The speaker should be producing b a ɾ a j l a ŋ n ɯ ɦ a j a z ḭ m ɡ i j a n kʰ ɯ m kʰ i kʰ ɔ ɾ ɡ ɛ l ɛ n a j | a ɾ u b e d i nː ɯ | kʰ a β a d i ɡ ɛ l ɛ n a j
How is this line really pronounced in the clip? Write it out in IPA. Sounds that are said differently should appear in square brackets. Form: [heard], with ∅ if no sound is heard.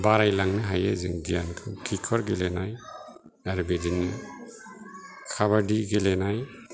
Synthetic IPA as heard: b a ɾ a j l a ŋ n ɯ ɦ a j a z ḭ [ŋ] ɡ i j a n kʰ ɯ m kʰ i kʰ ɔ ɾ ɡ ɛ l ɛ n a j | a ɾ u b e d i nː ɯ | kʰ a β a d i ɡ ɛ l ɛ n a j